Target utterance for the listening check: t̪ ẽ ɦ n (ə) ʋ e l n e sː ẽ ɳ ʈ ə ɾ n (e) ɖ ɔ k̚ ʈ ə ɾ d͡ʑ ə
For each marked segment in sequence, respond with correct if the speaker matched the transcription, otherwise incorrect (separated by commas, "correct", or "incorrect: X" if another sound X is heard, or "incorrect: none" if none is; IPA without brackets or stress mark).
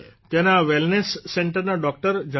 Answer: incorrect: a, incorrect: a